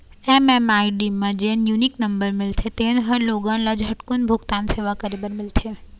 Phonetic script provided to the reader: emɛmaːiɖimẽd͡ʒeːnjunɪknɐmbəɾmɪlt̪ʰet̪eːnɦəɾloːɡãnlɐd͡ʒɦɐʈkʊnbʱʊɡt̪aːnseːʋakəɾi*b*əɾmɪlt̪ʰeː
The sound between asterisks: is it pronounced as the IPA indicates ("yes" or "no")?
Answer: yes